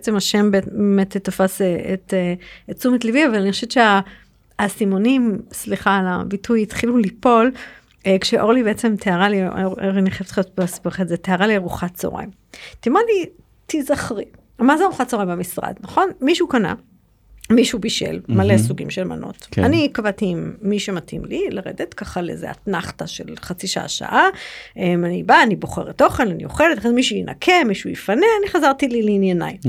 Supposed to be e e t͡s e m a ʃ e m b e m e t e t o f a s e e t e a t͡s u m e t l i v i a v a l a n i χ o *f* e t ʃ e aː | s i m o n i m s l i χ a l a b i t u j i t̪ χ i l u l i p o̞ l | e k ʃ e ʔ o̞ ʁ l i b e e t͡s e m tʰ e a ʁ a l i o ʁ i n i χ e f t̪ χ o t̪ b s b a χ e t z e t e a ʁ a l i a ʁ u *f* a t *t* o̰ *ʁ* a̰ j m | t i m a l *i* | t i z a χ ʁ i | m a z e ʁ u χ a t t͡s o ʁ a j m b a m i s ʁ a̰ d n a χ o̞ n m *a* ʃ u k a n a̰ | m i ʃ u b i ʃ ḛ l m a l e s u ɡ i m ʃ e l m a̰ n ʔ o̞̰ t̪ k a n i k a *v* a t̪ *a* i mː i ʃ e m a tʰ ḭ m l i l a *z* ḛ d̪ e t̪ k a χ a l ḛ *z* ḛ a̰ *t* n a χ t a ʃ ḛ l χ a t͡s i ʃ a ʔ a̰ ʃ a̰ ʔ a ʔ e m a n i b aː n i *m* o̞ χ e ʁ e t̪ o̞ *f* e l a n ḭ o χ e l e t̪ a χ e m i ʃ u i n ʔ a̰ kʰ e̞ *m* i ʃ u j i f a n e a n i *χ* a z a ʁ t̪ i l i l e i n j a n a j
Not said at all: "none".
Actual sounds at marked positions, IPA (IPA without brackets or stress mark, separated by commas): ʃ, χ, t͡s, ʁ, i, i, v, i, ʁ, z, t, b, χ, m, χ